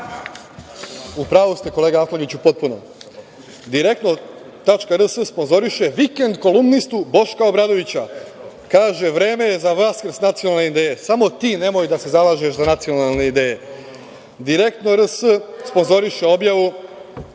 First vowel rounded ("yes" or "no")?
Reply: yes